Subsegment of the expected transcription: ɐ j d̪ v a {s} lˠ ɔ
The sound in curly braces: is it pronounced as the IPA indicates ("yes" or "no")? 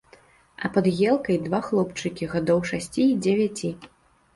no